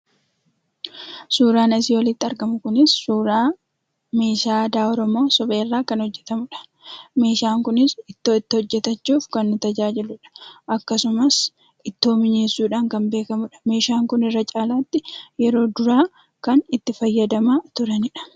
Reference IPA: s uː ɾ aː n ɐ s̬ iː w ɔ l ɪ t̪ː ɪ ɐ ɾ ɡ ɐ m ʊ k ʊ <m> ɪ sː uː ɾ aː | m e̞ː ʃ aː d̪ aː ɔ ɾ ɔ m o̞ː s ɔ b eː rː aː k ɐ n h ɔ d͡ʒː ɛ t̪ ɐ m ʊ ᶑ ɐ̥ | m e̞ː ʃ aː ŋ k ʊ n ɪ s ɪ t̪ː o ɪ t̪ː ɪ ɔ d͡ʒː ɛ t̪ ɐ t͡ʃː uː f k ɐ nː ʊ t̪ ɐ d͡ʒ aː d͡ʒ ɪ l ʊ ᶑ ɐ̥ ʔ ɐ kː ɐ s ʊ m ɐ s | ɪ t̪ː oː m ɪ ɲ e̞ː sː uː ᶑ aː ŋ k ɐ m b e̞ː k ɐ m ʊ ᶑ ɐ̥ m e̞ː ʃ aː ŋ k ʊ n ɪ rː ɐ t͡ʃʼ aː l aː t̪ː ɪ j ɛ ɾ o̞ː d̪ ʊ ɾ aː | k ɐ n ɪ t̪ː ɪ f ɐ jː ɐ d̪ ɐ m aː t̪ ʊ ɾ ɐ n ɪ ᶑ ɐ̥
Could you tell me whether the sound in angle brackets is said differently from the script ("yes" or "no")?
yes